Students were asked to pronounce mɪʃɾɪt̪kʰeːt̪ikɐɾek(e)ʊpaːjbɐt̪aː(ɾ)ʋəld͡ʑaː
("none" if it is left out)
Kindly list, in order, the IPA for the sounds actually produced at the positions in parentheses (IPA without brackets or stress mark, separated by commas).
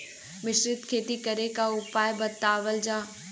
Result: a, none